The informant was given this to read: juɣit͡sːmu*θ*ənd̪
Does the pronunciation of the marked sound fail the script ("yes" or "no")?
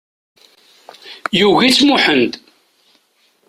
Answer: yes